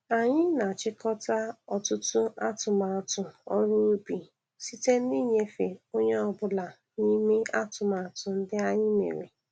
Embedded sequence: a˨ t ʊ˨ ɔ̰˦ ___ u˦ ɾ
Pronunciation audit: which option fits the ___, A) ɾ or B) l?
A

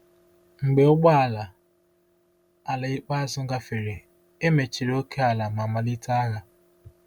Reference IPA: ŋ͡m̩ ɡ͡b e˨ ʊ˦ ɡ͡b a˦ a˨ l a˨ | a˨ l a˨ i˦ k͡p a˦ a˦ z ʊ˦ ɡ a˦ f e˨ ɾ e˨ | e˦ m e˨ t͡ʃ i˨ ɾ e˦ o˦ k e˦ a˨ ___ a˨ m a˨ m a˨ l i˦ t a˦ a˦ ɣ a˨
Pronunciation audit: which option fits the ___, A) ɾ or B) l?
B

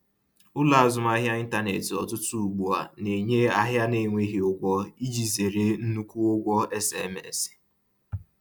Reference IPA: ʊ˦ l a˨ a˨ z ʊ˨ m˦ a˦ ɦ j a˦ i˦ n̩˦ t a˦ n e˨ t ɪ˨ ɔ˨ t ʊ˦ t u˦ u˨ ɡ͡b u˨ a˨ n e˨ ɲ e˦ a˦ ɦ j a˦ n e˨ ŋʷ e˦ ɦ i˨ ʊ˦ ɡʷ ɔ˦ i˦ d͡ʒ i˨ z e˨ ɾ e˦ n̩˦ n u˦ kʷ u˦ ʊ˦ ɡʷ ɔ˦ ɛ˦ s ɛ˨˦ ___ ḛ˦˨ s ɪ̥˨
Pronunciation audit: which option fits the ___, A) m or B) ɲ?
A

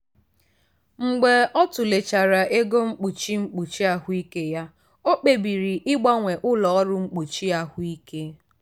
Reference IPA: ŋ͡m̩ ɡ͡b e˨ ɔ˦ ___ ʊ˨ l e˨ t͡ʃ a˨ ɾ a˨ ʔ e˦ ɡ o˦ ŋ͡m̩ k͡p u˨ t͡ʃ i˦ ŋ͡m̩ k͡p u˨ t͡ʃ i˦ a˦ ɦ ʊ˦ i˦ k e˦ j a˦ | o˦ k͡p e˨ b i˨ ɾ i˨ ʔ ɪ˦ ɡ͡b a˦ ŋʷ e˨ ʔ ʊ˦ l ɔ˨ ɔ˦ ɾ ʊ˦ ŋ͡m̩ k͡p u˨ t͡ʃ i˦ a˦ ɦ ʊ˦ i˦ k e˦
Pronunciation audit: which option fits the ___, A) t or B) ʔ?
A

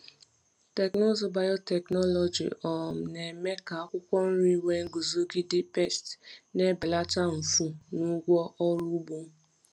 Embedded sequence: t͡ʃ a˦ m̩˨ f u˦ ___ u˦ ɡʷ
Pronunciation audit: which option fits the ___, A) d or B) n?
B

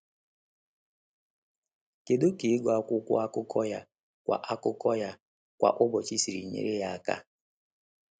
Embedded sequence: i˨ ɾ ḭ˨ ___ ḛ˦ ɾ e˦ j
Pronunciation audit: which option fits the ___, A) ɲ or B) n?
A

